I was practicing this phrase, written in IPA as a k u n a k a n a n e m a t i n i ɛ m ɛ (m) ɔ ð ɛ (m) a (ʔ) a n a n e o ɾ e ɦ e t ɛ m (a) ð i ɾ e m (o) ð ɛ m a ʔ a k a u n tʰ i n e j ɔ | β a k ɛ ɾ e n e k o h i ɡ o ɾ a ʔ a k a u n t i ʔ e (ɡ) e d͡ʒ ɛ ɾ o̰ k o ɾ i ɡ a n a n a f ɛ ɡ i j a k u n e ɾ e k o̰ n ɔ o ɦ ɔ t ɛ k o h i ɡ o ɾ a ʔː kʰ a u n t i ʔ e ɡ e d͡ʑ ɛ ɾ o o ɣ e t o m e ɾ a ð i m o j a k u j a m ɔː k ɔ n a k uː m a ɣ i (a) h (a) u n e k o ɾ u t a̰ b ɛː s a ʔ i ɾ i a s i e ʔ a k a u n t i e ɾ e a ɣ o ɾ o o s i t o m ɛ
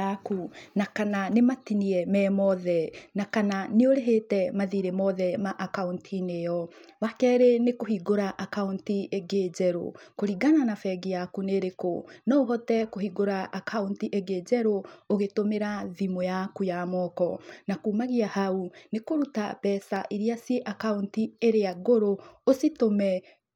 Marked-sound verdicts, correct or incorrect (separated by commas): correct, incorrect, incorrect, correct, incorrect, correct, correct, correct